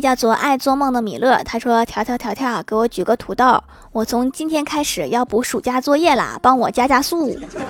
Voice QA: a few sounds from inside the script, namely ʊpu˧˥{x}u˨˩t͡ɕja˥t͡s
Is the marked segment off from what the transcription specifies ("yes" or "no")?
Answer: yes